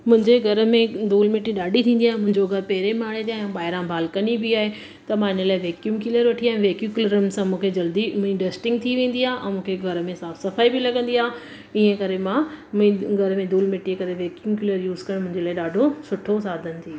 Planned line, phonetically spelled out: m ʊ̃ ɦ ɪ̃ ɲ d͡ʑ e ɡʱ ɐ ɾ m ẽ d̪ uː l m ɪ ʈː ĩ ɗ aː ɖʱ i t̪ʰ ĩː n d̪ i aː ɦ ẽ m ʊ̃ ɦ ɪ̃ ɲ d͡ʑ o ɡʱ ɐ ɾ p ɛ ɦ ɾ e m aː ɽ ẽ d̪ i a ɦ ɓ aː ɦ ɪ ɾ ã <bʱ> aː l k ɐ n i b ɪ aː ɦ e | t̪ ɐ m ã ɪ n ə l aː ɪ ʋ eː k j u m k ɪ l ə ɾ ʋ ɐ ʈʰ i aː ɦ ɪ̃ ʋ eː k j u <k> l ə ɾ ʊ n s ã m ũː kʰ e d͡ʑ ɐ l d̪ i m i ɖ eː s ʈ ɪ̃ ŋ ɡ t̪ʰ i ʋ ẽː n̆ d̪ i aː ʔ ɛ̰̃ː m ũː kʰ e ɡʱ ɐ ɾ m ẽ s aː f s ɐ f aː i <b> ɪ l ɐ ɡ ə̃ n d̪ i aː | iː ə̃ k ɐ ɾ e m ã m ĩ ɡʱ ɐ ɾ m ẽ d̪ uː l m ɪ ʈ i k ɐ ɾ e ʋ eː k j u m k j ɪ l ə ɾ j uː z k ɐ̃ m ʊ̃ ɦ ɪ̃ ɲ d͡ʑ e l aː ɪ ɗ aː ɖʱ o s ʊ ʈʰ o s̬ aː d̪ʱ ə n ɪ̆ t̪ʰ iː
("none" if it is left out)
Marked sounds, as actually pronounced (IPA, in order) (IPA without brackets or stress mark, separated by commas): bʱ, k, b